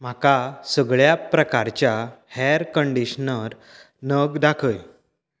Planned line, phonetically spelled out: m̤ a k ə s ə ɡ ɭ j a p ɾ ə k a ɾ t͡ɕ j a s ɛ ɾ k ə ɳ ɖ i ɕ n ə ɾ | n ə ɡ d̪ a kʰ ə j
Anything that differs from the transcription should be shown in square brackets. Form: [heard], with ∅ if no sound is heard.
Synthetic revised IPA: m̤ a k [a] s ə ɡ ɭ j a p ɾ ə k a ɾ t͡ɕ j a [h] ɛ ɾ k ə ɳ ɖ i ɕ n ə ɾ | n ə ɡ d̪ a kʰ ə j